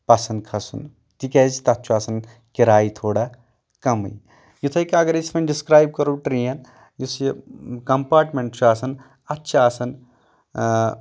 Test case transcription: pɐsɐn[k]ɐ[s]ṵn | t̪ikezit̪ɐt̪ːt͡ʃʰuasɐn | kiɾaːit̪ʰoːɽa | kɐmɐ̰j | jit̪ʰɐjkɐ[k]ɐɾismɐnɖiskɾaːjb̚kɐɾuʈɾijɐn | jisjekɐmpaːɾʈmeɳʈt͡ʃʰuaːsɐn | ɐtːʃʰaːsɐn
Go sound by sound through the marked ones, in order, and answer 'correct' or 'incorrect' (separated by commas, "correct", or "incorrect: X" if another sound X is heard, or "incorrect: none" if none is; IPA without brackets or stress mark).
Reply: incorrect: kʰ, correct, incorrect: ɡ